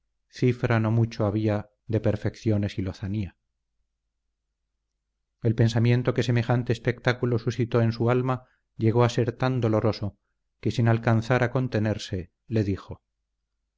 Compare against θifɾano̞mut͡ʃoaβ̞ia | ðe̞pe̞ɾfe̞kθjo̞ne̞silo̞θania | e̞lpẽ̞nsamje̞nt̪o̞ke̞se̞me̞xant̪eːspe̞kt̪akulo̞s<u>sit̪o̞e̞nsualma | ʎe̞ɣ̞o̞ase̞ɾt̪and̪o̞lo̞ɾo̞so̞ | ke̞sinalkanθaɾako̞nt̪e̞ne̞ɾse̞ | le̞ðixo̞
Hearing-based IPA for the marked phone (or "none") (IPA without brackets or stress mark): u